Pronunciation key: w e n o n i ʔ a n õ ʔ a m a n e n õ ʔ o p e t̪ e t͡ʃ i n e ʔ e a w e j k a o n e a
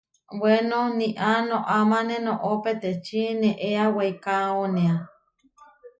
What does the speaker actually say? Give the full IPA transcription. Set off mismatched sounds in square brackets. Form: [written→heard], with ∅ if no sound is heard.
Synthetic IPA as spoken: w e n o n i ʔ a n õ ʔ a m a n e n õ ʔ o p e t̪ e t͡ʃ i n e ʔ e a w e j k a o n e a